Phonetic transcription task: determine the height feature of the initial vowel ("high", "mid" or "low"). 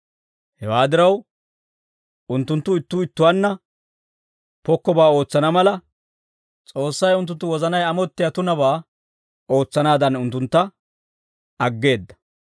mid